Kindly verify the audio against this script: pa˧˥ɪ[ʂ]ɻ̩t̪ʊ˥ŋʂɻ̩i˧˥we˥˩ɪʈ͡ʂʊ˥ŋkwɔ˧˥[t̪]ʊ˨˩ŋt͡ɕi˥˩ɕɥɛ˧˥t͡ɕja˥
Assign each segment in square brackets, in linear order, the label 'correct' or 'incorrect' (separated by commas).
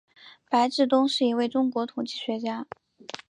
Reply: incorrect, incorrect